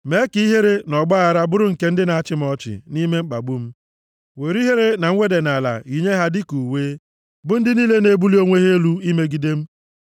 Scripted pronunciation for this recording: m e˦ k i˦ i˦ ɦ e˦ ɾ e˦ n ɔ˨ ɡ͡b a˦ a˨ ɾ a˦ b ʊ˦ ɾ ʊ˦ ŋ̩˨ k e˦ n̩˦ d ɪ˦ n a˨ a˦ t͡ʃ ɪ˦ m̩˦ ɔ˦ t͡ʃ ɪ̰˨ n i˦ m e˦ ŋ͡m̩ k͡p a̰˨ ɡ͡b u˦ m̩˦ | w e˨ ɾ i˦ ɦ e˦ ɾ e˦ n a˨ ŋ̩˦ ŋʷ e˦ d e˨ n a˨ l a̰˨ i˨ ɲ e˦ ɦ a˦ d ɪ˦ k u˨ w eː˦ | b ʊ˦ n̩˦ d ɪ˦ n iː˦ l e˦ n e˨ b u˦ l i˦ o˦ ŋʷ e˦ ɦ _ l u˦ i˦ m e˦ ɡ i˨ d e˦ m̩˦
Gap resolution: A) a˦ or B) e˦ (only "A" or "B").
B